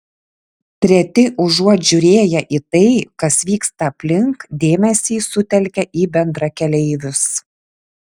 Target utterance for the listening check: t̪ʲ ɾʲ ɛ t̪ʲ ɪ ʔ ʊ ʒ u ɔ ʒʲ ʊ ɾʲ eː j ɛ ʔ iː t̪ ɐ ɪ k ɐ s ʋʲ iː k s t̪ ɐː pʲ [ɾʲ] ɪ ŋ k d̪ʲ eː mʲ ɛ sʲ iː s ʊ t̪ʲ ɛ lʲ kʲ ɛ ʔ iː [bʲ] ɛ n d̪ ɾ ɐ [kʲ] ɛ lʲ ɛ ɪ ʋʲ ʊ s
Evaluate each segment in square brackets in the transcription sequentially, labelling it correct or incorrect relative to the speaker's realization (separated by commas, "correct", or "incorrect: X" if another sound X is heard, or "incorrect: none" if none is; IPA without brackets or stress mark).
incorrect: lʲ, correct, correct